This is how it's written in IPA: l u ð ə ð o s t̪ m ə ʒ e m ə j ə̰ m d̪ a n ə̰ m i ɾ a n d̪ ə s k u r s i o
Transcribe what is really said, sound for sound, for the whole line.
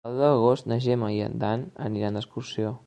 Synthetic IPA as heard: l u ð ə ɣ o s t̪ n ə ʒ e m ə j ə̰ n d̪ a n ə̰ n i ɾ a n d̪ ə s k u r s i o